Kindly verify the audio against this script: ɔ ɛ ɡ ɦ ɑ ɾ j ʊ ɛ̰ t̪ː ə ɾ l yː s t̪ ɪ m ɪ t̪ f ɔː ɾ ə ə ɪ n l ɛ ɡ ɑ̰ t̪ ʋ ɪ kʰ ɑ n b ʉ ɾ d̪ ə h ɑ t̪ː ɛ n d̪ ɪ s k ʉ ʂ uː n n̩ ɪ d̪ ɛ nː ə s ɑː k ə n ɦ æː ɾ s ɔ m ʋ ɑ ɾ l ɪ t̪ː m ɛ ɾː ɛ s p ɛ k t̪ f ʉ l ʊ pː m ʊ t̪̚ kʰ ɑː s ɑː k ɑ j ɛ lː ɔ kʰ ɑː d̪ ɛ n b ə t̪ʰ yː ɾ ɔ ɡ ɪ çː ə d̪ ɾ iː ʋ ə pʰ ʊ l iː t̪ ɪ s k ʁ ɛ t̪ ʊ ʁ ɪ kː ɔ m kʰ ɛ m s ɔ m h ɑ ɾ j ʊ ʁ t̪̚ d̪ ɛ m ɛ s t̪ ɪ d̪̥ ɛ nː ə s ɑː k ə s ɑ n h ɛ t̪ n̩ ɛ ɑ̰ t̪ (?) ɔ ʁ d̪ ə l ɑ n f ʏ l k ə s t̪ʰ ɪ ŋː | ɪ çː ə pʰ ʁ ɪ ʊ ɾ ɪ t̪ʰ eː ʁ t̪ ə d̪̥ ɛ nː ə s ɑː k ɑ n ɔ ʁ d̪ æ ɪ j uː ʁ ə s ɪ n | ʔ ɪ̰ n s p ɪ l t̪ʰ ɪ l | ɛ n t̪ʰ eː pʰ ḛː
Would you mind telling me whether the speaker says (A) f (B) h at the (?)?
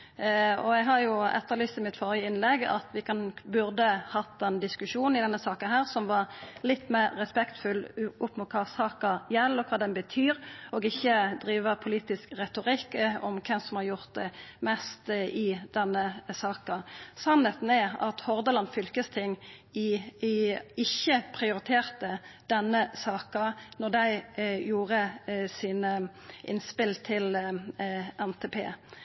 B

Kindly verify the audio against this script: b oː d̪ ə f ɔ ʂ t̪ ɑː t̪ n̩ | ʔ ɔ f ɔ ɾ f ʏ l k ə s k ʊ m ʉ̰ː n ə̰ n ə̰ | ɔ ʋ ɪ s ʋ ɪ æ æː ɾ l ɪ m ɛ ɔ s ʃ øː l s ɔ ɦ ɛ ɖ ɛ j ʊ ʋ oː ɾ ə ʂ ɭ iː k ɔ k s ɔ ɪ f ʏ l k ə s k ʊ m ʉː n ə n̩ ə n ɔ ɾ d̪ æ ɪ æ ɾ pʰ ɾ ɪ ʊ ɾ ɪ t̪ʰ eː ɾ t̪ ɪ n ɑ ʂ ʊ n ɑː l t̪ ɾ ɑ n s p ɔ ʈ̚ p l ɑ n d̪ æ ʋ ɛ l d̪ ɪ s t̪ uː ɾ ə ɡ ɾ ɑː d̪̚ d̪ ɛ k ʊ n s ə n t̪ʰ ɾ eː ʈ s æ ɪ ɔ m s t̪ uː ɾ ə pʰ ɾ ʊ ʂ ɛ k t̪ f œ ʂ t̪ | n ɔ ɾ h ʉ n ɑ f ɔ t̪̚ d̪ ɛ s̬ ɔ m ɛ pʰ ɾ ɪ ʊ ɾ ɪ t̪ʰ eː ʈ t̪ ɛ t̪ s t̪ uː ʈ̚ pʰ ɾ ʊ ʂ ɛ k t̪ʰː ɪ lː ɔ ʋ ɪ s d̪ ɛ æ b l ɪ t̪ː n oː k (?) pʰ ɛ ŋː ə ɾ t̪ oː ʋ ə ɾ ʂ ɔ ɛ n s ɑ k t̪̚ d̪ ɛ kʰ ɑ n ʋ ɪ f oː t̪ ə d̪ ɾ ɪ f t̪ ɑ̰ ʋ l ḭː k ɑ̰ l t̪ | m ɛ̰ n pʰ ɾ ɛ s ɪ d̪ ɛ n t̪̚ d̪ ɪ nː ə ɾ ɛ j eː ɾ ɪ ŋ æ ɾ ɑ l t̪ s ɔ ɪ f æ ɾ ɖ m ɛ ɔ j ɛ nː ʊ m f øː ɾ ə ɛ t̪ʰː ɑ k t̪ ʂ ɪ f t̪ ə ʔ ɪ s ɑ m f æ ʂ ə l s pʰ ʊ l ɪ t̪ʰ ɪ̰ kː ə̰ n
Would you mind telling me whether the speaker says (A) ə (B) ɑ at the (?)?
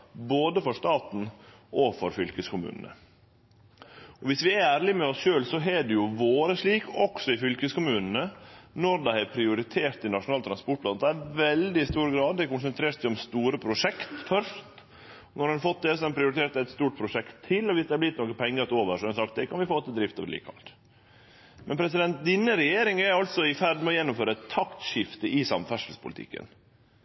A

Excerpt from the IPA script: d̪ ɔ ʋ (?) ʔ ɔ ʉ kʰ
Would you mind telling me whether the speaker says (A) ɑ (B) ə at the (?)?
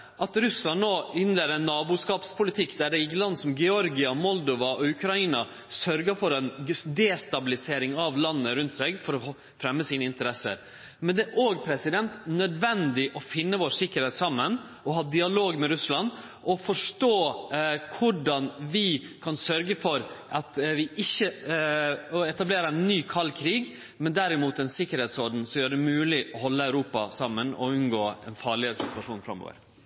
A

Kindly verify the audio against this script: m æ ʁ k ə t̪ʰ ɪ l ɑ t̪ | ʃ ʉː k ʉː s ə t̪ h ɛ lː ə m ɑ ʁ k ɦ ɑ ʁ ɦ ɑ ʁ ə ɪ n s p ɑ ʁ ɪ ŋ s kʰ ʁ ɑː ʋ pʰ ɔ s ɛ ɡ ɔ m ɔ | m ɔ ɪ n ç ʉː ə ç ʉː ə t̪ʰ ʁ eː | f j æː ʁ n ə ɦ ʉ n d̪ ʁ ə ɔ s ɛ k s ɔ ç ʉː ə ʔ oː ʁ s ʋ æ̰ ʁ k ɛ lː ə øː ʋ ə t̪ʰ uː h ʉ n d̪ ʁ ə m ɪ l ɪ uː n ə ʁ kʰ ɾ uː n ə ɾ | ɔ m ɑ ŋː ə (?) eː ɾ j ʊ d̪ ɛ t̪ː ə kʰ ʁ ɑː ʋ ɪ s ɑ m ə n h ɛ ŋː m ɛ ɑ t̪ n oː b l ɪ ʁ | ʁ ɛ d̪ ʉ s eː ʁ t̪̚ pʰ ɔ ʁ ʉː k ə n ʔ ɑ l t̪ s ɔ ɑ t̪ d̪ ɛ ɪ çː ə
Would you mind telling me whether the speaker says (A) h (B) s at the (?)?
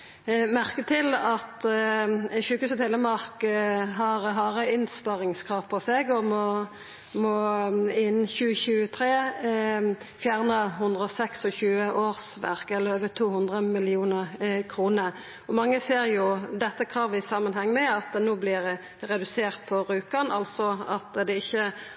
B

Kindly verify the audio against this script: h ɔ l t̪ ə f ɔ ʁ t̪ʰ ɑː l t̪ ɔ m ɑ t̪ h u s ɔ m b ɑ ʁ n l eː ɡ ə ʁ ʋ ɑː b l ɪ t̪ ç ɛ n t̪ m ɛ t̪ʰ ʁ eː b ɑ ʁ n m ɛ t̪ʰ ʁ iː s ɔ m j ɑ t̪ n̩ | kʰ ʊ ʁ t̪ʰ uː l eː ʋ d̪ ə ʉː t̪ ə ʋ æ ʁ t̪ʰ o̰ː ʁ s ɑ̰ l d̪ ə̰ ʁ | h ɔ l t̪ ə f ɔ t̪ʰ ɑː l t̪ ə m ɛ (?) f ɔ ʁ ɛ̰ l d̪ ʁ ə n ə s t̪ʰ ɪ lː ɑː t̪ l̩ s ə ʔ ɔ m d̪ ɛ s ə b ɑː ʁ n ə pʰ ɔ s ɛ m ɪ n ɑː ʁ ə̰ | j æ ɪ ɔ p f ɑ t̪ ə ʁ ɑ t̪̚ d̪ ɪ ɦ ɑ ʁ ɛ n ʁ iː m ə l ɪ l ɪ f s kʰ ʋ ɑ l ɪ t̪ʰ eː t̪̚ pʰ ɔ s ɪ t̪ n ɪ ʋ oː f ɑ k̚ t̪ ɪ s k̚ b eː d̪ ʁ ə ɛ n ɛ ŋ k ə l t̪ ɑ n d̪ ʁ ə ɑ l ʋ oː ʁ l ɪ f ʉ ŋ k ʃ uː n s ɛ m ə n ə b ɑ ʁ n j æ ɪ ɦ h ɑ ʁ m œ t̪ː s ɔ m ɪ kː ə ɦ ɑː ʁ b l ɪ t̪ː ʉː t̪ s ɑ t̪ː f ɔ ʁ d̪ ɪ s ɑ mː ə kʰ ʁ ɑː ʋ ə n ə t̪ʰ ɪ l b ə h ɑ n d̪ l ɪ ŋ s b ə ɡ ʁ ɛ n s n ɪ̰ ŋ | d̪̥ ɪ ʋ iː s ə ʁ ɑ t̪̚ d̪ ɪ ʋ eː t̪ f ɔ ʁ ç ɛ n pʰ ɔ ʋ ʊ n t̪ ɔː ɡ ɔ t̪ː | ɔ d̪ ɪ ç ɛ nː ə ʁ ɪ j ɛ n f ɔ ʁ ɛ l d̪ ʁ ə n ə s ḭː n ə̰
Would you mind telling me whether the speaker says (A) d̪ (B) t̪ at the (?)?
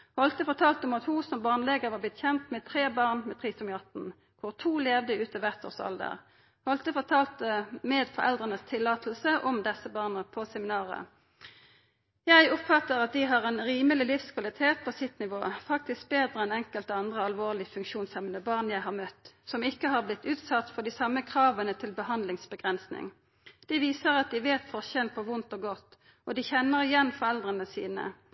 A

